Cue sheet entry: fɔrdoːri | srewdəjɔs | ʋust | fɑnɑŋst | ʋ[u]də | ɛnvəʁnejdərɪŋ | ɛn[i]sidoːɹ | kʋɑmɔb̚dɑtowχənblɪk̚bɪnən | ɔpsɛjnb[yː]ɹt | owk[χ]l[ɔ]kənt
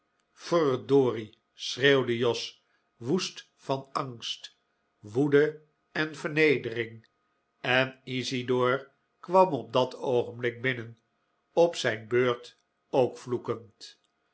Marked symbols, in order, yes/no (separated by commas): yes, yes, no, no, no